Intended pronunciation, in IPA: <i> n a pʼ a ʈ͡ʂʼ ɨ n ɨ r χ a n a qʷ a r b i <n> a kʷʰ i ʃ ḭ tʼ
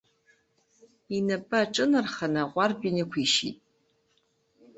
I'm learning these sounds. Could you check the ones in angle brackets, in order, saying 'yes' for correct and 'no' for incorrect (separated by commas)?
yes, yes